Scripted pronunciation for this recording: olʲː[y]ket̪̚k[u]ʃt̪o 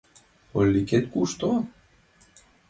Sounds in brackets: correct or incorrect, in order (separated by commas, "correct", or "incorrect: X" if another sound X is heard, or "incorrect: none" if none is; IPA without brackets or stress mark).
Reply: incorrect: i, correct